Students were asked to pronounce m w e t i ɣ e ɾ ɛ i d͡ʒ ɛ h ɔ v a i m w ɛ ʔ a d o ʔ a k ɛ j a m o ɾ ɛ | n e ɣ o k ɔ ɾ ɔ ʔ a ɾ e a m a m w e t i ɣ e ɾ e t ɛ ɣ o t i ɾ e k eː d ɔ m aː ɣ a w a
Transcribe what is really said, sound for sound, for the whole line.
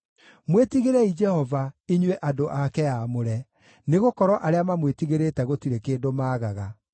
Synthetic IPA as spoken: m w e t i ɣ e ɾ ɛ i d͡ʒ ɛ h ɔ v a i ɲ w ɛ ʔ a d o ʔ a k ɛ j a m o ɾ ɛ | n e ɣ o k ɔ ɾ ɔ ʔ a ɾ e a m a m w e t i ɣ e ɾ e t ɛ ɣ o t i ɾ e k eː d o m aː ɣ a ɣ a